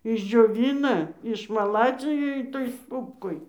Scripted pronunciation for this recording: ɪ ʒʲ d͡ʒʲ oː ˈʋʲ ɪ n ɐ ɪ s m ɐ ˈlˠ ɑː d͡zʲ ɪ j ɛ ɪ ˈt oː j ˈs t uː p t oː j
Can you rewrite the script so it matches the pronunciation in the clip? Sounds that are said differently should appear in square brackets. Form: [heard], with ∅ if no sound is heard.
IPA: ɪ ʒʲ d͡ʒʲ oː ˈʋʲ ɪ n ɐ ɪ [ʃ] m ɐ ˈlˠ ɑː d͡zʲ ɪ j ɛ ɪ ˈt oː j ˈs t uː p [k] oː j

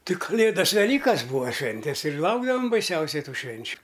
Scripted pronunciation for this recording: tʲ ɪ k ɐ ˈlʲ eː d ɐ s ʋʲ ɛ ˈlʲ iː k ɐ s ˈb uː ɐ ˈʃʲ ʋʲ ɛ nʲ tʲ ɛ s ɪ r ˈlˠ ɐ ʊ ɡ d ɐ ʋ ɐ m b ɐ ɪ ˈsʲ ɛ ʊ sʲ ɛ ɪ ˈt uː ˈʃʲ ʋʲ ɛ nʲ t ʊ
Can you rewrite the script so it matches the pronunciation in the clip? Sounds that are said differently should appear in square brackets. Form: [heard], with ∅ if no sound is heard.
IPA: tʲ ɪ k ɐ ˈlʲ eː d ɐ s ʋʲ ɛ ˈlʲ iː k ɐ s ˈb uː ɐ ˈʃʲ ʋʲ ɛ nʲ tʲ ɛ s ɪ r ˈlˠ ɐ ʊ ɡ d ɐ ʋ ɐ m b ɐ ɪ ˈsʲ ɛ ʊ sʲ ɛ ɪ ˈt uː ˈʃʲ ʋʲ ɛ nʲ [t͡ʃʲ] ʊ

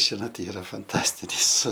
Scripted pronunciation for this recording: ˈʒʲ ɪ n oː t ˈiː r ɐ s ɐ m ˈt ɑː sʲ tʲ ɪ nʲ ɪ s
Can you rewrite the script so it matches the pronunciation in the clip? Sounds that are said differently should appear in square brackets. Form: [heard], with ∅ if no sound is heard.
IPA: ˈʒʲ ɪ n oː t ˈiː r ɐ [f] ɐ [n] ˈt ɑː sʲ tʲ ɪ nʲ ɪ s

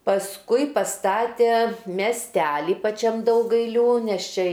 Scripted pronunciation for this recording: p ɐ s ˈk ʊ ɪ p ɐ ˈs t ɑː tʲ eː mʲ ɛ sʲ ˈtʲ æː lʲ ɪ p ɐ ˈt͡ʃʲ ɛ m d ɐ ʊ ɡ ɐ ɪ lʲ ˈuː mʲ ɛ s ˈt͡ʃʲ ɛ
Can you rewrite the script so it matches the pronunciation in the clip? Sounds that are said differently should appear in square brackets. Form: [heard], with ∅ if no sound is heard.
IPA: p ɐ s ˈk ʊ ɪ p ɐ ˈs t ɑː tʲ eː mʲ ɛ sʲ ˈtʲ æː lʲ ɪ p ɐ ˈt͡ʃʲ ɛ m d ɐ ʊ ɡ ɐ ɪ lʲ ˈuː [nʲ] ɛ s ˈt͡ʃʲ ɛ

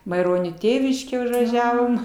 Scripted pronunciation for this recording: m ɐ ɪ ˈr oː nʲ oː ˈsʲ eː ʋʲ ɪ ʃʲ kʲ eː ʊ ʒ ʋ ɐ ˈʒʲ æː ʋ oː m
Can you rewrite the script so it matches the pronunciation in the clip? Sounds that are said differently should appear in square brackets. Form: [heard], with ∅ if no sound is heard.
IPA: m ɐ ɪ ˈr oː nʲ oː [ˈtʲ] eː ʋʲ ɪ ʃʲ kʲ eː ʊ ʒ ʋ ɐ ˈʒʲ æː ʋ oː m

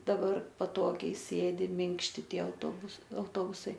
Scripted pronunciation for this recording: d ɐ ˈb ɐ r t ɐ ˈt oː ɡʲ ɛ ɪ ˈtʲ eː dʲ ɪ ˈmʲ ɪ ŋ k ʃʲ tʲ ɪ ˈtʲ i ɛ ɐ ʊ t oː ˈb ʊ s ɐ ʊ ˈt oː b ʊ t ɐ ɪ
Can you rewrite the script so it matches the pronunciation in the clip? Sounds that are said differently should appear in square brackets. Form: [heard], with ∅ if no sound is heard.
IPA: d ɐ ˈb ɐ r [p] ɐ ˈt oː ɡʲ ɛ ɪ [ˈsʲ] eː dʲ ɪ ˈmʲ ɪ ŋ k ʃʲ tʲ ɪ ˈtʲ i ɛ ɐ ʊ t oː ˈb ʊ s ɐ ʊ ˈt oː b ʊ [s] ɐ ɪ

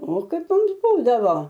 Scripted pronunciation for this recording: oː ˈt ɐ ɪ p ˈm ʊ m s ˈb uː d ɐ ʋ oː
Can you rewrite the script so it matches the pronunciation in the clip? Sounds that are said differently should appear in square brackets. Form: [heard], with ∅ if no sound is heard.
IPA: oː [ˈk] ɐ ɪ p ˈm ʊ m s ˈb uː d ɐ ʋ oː

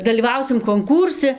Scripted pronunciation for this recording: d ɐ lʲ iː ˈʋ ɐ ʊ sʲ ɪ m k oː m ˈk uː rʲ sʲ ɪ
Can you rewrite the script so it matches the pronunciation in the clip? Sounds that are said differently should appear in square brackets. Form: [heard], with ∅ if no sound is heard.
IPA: d ɐ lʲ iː ˈʋ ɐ ʊ sʲ ɪ m k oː [ŋ] ˈk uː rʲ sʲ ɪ

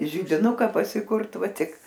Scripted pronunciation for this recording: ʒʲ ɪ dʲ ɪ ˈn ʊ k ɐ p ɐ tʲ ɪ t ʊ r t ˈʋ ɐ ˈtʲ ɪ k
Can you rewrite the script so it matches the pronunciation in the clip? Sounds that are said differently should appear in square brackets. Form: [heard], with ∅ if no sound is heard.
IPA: ʒʲ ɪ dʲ ɪ ˈn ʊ k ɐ p ɐ [sʲ] ɪ [k] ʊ r t ˈʋ ɐ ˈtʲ ɪ k

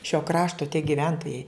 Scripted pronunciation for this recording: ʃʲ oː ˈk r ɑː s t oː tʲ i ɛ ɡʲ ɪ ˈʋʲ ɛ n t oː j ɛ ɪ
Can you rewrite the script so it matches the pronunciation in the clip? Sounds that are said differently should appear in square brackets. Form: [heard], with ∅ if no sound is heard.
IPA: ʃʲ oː ˈk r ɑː [ʃ] t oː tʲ i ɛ ɡʲ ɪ ˈʋʲ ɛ n t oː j ɛ ɪ

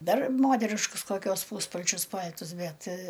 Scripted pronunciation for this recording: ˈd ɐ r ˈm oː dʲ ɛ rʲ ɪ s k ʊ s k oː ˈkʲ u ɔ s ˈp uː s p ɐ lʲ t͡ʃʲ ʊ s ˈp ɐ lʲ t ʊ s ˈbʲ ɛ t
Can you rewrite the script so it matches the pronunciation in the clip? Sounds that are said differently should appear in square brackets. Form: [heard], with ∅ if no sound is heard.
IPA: ˈd ɐ r ˈm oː [tʲ] ɛ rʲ ɪ [ʃ] k ʊ s k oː ˈkʲ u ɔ s ˈp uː s p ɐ lʲ t͡ʃʲ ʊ s ˈp ɐ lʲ t ʊ s ˈbʲ ɛ t

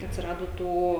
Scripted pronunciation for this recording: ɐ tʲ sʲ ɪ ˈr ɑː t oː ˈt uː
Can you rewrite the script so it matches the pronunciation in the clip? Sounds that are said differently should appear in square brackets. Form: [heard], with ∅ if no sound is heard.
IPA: ɐ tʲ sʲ ɪ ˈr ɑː [d] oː ˈt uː

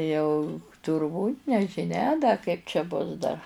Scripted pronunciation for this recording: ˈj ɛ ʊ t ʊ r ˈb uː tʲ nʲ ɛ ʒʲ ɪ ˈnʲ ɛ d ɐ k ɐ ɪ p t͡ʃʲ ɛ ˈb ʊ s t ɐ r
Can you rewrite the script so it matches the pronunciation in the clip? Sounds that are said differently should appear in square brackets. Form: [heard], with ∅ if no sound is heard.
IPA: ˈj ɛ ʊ t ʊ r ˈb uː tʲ nʲ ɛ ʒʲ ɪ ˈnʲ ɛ d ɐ k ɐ ɪ p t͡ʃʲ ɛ ˈb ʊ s [d] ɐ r

